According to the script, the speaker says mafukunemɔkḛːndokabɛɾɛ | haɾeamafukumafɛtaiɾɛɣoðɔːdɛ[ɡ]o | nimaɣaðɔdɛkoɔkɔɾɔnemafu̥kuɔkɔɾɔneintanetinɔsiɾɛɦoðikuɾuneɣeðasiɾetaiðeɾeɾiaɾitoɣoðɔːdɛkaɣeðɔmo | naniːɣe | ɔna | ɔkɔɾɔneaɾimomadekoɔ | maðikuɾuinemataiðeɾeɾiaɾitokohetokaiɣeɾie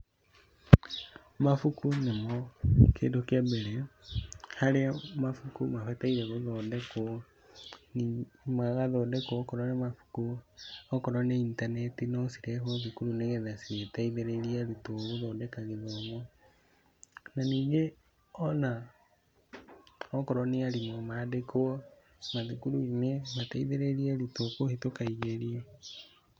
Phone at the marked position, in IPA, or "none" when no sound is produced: k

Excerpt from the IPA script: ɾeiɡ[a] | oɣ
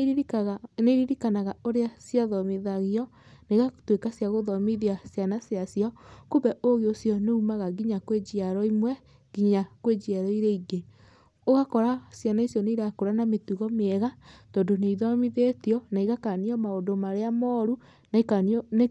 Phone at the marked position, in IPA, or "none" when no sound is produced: e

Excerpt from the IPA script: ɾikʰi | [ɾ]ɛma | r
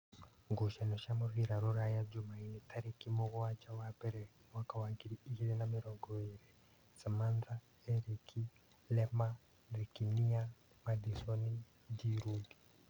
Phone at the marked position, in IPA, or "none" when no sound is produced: l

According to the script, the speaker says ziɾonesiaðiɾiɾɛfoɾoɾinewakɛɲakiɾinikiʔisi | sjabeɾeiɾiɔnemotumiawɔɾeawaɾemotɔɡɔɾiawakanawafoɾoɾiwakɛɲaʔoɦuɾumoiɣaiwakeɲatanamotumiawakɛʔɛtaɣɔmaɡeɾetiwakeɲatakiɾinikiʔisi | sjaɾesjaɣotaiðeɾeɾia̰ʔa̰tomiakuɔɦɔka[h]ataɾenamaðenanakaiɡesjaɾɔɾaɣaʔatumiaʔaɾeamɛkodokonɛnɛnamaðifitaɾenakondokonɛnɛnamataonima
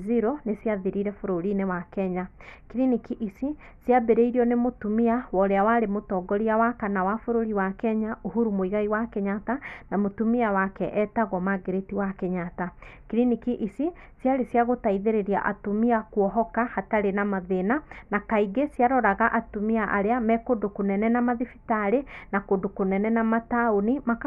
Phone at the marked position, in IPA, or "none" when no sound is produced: h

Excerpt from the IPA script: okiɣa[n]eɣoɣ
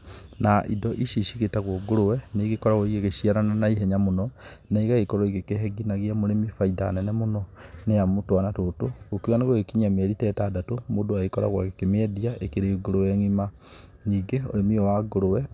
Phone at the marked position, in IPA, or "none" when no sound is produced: n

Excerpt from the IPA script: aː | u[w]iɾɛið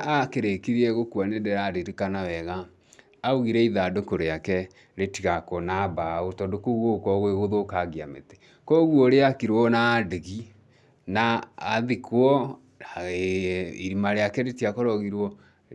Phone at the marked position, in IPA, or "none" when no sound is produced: ɣ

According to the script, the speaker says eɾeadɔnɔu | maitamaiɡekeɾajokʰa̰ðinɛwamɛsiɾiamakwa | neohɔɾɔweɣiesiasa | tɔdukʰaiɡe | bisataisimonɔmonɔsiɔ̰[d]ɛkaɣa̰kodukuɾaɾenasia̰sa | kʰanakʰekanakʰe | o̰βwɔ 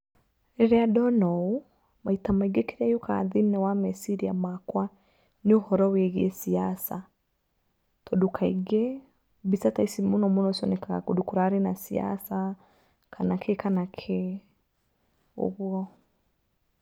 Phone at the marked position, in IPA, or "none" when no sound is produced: n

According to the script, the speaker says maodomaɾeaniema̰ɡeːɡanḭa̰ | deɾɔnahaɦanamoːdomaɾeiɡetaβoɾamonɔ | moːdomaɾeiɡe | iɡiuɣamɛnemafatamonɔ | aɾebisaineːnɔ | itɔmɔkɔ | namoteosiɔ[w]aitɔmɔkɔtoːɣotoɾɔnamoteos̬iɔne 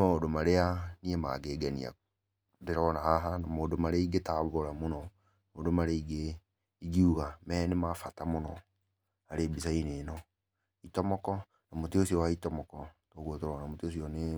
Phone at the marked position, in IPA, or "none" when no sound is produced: w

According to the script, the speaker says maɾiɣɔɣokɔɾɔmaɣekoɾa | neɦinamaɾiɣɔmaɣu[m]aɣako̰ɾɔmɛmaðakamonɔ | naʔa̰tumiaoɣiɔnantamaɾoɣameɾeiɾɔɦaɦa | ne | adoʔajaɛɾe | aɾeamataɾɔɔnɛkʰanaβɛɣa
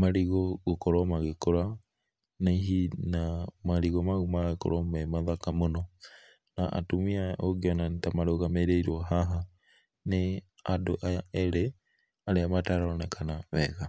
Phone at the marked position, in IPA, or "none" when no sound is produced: m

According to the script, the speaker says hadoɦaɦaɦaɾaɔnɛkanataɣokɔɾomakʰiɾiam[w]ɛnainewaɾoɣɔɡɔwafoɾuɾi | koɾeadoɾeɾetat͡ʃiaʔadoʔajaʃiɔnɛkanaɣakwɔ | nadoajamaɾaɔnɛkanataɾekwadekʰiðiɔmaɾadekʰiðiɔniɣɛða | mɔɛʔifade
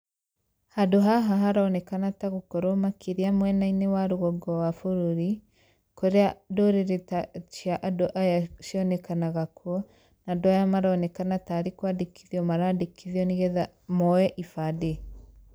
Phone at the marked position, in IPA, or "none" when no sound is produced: w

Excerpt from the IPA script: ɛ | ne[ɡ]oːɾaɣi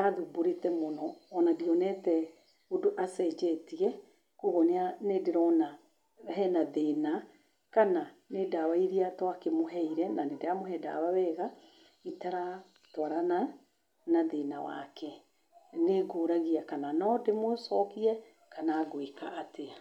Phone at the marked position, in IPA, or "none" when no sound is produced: ɡ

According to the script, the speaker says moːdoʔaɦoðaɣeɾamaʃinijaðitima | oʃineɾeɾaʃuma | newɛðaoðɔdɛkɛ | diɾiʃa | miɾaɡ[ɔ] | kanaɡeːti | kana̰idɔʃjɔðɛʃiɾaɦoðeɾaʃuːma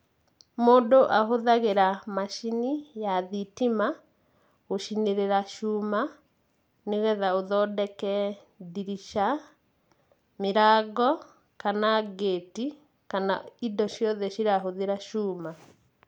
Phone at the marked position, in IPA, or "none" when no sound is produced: ɔ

